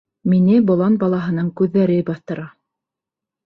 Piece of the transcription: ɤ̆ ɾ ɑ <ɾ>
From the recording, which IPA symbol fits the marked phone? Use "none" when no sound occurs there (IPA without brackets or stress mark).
none